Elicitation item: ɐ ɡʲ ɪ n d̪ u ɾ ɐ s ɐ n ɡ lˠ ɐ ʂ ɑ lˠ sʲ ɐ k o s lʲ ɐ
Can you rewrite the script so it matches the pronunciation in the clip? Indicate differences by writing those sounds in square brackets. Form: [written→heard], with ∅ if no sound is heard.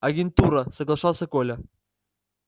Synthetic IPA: ɐ ɡʲ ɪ n [d̪→t̪] u ɾ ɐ s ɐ [n→∅] ɡ lˠ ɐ ʂ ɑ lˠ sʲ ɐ k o [s→∅] lʲ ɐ